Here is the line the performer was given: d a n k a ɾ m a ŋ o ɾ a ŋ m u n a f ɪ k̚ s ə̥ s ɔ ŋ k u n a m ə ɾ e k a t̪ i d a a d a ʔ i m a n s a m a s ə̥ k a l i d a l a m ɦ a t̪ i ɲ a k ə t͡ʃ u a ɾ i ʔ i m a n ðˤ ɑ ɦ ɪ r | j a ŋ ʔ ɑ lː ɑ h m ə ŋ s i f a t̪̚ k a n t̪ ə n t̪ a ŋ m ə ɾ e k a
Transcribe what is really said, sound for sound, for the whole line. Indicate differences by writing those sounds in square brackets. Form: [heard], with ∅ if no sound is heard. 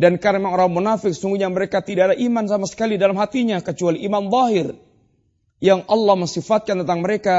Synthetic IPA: d a n k a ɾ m a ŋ o ɾ a ŋ m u n a f ɪ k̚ s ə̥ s [u] ŋ [ɡ] u [ɲ] a m ə ɾ e k a t̪ i d a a d a ʔ i m a n s a m a s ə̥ k a l i d a l a m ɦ a t̪ i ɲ a k ə t͡ʃ u a [l] i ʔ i m a n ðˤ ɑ ɦ ɪ r | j a ŋ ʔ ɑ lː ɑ h m ə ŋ s i f a t̪̚ k a n t̪ ə n t̪ a ŋ m ə ɾ e k a